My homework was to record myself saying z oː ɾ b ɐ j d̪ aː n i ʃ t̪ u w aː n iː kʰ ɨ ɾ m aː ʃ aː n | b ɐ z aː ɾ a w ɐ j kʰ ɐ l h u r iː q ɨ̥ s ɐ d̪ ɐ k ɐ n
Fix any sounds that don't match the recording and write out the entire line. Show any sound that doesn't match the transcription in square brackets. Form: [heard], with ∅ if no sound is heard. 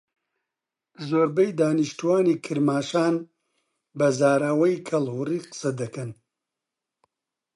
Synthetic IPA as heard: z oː ɾ b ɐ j d̪ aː n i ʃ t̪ u w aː n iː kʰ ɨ ɾ m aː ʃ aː n | b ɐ z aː ɾ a w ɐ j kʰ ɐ l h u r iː q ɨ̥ s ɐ d̪ ɐ k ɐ n